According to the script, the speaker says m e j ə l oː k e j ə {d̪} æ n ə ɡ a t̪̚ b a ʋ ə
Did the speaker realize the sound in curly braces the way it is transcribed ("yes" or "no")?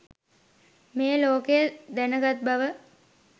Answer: yes